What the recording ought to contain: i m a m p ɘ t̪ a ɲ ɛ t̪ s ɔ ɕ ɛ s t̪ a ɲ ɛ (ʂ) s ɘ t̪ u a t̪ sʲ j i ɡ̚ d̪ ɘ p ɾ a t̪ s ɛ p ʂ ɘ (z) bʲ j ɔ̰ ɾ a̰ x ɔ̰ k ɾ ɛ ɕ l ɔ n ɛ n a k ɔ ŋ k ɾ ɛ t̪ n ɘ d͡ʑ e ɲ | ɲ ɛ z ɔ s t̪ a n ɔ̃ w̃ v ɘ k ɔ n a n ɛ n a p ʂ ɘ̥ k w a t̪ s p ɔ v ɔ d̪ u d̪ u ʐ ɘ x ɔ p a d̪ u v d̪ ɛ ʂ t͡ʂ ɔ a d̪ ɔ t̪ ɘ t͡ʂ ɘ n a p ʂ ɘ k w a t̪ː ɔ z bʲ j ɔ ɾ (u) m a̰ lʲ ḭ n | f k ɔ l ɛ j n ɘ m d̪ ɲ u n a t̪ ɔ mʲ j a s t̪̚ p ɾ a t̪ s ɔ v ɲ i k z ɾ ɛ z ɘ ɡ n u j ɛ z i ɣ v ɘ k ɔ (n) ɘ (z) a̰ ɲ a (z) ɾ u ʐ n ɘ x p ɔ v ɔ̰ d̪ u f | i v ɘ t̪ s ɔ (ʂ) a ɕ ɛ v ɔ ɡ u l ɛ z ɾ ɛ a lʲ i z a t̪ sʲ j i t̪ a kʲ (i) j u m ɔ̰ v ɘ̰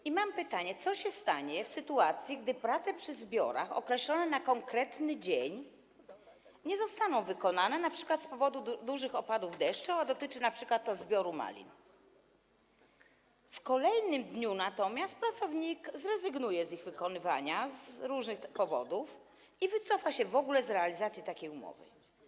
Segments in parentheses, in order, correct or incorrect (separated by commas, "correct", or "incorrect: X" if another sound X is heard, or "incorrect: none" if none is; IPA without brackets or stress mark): incorrect: f, correct, correct, correct, incorrect: v, correct, incorrect: f, incorrect: e